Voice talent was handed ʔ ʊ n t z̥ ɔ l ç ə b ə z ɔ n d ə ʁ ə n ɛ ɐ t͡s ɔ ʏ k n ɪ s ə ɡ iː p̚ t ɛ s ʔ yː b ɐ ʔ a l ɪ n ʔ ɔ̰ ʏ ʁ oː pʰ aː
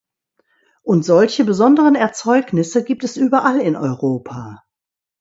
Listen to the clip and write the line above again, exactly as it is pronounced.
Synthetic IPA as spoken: ʔ ʊ n t z̥ ɔ l ç ə b ə z ɔ n d ə ʁ ə n ɛ ɐ t͡s ɔ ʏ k n ɪ s ə ɡ iː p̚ t ɛ s ʔ yː b ɐ ʔ a l ɪ n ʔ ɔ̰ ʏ ʁ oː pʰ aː